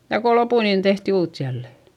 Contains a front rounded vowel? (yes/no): no